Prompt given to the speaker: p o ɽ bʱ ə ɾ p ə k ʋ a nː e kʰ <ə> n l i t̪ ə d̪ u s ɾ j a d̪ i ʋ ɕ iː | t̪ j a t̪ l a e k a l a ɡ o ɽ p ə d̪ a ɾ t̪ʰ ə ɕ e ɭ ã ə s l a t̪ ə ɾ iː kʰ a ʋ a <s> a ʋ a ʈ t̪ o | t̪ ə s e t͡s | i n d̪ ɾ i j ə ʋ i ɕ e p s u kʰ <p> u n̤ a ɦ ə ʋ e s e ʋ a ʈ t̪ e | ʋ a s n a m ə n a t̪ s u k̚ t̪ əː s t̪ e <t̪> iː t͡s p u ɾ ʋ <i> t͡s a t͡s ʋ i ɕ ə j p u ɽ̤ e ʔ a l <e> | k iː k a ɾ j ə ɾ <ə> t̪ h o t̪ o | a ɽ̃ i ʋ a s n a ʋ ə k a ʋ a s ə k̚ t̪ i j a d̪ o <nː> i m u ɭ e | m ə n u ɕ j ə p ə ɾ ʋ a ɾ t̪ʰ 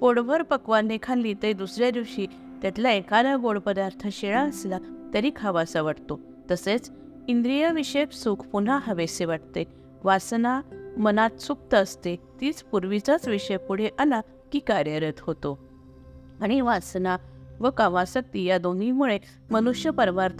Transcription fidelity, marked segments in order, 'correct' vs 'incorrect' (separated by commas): incorrect, correct, correct, correct, correct, incorrect, correct, incorrect